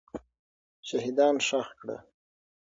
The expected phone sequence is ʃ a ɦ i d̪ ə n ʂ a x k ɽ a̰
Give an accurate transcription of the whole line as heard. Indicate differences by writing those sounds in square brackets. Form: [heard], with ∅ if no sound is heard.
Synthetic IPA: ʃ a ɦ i d̪ [ɑ] n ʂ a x k ɽ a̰